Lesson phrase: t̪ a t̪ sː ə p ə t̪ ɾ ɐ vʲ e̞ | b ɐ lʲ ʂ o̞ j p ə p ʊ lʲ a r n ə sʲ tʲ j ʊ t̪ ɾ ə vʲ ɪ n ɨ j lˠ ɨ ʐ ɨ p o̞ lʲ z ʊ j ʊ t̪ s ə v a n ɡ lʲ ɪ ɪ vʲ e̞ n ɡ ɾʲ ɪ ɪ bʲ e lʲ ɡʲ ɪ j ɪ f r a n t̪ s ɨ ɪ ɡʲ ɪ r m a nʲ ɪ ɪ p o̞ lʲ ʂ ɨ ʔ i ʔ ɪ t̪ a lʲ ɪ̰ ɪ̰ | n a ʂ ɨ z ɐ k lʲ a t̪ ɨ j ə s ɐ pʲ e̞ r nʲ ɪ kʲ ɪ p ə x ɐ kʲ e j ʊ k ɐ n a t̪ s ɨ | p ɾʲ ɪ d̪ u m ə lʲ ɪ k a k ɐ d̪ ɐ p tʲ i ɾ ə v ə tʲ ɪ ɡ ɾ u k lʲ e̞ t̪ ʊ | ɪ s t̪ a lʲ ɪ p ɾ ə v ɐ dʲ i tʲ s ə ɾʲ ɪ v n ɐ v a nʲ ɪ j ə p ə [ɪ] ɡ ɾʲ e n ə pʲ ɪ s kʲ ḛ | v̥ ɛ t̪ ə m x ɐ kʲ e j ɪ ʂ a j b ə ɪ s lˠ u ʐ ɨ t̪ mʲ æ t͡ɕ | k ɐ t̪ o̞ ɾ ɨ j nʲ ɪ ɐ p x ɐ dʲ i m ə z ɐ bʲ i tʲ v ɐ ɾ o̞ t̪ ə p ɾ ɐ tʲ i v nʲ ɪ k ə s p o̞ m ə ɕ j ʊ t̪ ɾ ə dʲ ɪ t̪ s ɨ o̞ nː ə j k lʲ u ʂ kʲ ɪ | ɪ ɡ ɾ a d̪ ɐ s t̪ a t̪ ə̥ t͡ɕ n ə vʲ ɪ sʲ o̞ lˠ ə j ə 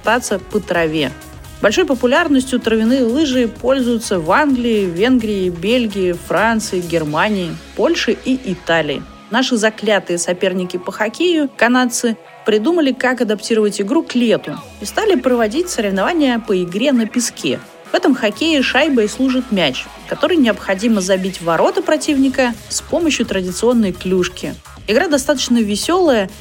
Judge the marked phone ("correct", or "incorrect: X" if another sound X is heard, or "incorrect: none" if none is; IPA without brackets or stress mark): correct